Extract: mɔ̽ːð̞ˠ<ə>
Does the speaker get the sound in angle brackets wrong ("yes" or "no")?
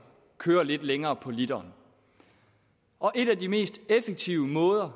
yes